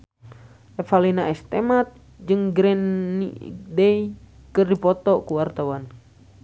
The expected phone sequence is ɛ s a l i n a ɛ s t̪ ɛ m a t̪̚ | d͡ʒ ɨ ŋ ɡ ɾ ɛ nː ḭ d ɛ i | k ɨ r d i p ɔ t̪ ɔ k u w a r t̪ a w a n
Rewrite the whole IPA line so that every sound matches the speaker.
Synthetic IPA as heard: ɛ f a l i n a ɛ s t̪ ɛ m a t̪̚ | d͡ʒ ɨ ŋ ɡ ɾ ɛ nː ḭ d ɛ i | k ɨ r d i p ɔ t̪ ɔ k u w a r t̪ a w a n

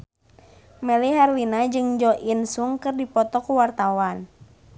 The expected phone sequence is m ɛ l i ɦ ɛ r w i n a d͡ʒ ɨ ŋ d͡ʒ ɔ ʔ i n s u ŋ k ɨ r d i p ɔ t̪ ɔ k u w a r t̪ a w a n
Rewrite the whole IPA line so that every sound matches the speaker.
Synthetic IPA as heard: m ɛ l i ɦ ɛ r w i n a d͡ʒ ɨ ŋ d͡ʒ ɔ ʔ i n s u ŋ k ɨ r d i p ɔ t̪ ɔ k u w a r t̪ a w a n

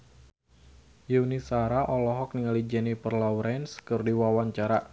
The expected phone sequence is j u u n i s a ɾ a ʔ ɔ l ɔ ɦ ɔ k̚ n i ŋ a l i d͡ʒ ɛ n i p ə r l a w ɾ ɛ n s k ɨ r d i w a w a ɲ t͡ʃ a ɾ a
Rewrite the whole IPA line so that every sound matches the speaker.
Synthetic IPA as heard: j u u n i s a ɾ a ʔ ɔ l ɔ ɦ ɔ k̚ n i ŋ a l i d͡ʒ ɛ n i p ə r l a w ɾ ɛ n s k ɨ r d i w a w a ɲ t͡ʃ a ɾ a

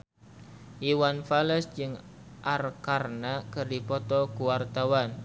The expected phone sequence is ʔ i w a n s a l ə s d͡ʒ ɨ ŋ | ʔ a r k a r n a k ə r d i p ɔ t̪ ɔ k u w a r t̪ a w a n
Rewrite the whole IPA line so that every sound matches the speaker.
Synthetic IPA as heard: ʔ i w a n f a l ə s d͡ʒ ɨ ŋ | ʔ a r k a r n a k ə r d i p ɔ t̪ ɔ k u w a r t̪ a w a n

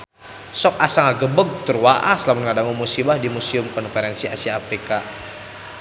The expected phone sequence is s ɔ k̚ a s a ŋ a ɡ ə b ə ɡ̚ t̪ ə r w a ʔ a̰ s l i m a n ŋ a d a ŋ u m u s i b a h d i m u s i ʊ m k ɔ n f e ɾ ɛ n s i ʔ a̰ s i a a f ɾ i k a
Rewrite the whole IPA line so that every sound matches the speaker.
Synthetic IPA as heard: s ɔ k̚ a s a ŋ a ɡ ə b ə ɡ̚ t̪ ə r w a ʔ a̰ s l a m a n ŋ a d a ŋ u m u s i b a h d i m u s i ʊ m k ɔ n f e ɾ ɛ n s i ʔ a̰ s i a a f ɾ i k a

